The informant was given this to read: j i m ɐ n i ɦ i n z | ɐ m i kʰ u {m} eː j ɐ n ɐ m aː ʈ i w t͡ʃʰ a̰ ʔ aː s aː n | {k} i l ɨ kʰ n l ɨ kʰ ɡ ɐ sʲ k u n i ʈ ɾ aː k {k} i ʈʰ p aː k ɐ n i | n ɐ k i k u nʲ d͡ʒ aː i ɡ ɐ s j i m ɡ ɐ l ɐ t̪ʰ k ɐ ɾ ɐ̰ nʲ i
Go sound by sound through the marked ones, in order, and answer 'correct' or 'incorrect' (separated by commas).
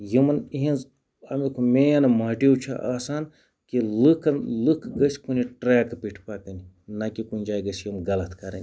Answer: correct, correct, incorrect